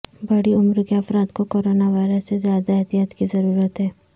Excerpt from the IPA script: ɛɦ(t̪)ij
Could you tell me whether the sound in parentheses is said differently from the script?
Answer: no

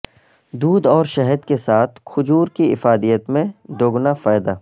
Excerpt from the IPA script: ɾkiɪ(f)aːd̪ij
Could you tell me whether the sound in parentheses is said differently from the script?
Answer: no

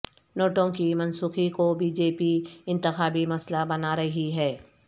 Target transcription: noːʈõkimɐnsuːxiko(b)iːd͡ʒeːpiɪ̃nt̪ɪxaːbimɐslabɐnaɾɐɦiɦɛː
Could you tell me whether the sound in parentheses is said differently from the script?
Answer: no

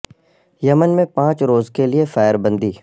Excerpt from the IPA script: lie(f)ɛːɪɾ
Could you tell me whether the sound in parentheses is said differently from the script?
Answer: no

